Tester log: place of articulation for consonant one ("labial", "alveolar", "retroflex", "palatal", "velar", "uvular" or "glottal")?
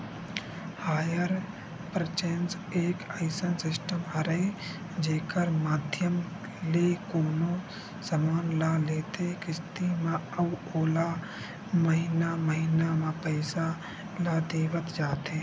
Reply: glottal